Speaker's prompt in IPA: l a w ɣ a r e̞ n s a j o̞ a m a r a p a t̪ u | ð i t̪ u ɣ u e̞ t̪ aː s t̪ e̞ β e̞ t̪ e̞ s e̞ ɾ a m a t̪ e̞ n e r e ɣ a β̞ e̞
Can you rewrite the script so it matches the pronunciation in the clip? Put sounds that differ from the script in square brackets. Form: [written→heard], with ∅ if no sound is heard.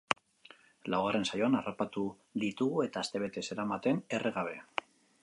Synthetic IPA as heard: l a w ɣ a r e̞ n s a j o̞ a [m→n] a r a p a t̪ u | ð i t̪ u ɣ u e̞ t̪ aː s t̪ e̞ β e̞ t̪ e̞ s e̞ ɾ a m a t̪ e̞ n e r e ɣ a β̞ e̞